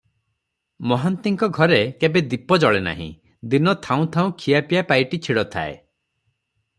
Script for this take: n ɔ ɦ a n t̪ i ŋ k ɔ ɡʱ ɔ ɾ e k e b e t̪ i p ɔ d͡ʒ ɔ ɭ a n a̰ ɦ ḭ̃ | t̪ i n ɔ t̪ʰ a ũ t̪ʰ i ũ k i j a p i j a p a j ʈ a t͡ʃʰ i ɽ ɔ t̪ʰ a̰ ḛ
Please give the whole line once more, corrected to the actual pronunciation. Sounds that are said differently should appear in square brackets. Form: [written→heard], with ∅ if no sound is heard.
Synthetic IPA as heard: [n→m] ɔ ɦ a n t̪ i ŋ k ɔ ɡʱ ɔ ɾ e k e b e [t̪→d̪] i p ɔ d͡ʒ ɔ ɭ [a→e] n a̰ ɦ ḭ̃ | [t̪→d̪] i n ɔ t̪ʰ a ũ t̪ʰ [i→a] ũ [k→kʰ] i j a p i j a p a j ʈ [a→i] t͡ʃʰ i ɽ ɔ t̪ʰ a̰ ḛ